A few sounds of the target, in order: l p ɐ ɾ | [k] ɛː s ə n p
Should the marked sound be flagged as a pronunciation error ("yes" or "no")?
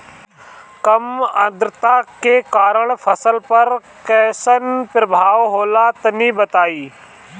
no